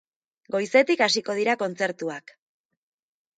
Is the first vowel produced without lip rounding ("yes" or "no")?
no